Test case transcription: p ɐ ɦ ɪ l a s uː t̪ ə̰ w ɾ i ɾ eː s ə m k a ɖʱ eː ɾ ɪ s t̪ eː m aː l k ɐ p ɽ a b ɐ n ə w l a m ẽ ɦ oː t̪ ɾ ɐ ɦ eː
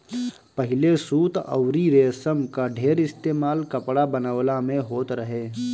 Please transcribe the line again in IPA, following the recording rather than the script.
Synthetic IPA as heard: p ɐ ɦ ɪ l e s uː t̪ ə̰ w ɾ i ɾ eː s ə m k a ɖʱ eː ɾ ɪ s t̪ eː m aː l k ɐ p ɽ a b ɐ n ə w l a m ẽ ɦ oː t̪ ɾ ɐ ɦ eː